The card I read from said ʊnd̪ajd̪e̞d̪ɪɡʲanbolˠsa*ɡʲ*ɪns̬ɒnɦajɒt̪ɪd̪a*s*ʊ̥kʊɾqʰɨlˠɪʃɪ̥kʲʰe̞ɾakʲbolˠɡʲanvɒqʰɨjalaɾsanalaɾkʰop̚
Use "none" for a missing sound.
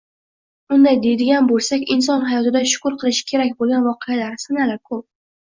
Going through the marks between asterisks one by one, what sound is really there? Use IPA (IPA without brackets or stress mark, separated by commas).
kʲ, ʃ